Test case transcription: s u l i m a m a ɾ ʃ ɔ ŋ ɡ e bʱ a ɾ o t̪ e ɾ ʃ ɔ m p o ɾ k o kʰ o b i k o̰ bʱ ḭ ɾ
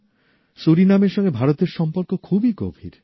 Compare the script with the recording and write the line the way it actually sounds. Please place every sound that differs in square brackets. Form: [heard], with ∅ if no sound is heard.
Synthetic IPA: s u [ɾ] i [n] a m [e] ɾ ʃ ɔ ŋ ɡ e bʱ a ɾ o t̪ e ɾ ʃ ɔ m p o ɾ k o kʰ [u] b i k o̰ bʱ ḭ ɾ